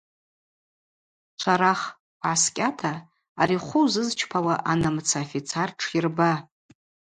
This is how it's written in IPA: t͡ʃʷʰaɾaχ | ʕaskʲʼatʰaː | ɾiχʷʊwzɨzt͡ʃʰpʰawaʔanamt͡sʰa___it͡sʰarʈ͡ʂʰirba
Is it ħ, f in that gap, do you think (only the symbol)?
f